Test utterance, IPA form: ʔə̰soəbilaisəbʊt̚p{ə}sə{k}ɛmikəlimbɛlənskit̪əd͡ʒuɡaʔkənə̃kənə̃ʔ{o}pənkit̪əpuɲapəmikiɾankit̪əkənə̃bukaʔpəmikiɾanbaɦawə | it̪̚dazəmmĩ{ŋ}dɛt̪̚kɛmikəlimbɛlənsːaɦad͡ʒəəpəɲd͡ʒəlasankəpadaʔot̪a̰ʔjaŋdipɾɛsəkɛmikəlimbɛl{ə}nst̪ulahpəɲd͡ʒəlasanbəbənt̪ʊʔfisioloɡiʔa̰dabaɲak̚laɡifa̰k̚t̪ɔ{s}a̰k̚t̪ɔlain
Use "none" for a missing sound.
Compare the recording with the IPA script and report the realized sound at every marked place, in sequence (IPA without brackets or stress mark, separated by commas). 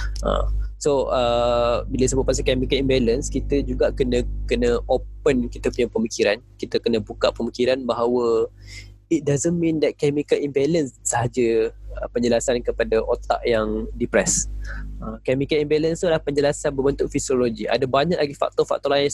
a, k, o, n, ə, f